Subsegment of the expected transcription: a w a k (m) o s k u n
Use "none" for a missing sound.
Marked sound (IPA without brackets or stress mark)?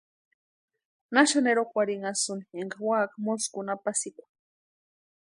m